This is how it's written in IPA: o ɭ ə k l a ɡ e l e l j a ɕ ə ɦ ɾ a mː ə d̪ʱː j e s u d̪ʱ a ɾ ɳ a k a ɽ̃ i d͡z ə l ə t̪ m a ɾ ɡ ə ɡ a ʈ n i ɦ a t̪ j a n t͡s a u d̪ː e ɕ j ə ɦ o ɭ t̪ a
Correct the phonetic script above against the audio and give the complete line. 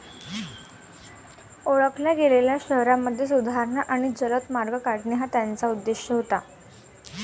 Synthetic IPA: o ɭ ə k l a ɡ e l e l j a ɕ ə ɦ ɾ a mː ə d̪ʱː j e s u d̪ʱ a ɾ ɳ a ʔ a ɽ̃ i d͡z ə l ə t̪ m a ɾ ɡ ə k a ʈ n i ɦ a t̪ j a n t͡s a u d̪ː e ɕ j ə ɦ o t̪ a